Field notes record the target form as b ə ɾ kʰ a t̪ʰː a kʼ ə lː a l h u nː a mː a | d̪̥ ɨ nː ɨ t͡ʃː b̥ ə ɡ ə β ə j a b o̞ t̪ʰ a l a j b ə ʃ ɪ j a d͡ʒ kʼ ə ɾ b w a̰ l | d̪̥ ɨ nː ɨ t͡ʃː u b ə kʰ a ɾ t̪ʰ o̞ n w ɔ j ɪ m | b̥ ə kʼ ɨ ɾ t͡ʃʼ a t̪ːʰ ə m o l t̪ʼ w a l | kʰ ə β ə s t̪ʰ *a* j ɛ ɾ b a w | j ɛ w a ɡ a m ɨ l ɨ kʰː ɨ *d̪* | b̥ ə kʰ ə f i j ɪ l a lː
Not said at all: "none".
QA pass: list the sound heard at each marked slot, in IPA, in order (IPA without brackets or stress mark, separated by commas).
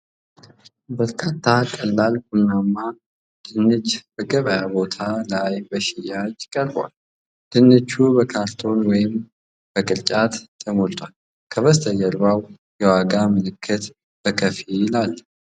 ə, t̪